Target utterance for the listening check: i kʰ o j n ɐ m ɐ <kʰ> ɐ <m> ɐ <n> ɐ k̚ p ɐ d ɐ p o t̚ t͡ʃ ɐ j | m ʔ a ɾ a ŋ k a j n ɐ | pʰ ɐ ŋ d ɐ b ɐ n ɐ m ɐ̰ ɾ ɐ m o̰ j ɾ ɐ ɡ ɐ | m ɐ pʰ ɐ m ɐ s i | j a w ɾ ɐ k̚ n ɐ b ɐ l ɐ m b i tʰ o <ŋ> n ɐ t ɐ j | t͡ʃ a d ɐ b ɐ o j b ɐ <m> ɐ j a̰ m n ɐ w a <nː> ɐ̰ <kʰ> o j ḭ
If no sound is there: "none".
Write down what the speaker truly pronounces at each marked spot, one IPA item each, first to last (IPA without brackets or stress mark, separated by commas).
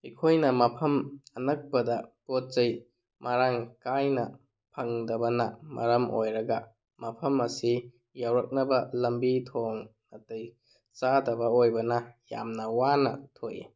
pʰ, m, n, ŋ, n, n, tʰ